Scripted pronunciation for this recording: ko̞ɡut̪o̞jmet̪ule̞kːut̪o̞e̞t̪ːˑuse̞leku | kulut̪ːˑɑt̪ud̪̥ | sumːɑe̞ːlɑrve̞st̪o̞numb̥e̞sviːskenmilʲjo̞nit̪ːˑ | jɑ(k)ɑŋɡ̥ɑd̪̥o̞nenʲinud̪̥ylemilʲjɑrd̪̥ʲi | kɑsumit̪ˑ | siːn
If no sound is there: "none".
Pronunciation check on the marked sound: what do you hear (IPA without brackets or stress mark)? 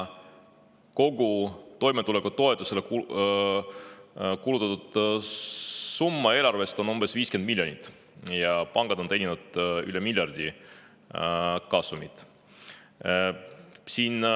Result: p